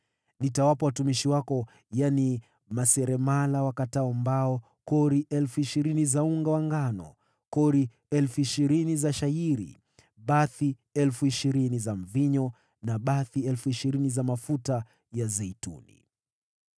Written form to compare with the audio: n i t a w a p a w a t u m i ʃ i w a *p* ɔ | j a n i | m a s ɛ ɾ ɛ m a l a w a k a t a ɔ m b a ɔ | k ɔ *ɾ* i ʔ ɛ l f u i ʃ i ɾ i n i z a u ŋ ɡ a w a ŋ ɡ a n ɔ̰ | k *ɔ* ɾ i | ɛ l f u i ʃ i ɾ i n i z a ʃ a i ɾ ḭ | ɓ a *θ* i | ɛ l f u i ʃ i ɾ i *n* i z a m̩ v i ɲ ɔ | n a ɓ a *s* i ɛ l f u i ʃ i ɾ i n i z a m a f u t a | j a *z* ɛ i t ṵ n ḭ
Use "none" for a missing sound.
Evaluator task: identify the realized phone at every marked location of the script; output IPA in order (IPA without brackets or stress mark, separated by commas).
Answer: k, ɾ, ɔ, θ, n, θ, z